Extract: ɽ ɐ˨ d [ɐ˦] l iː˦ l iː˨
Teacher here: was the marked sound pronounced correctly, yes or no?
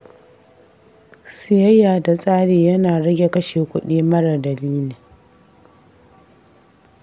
no